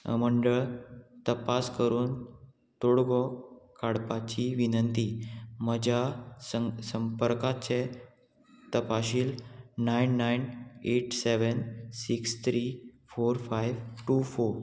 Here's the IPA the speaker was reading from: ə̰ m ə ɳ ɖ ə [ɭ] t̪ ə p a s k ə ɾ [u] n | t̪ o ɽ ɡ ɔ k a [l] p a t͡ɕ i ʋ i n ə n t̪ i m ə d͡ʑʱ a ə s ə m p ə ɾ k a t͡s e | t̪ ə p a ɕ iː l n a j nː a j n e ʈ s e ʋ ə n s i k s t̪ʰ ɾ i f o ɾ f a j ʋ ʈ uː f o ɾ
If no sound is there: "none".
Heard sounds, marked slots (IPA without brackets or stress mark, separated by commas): ɭ, uː, ɽ